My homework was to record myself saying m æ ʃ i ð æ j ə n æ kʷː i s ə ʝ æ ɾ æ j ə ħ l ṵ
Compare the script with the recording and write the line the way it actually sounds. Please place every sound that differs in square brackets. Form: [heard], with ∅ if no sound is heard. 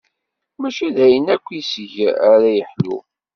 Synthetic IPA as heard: m æ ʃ i ð æ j ə n æ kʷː i s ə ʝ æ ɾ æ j ə ħ l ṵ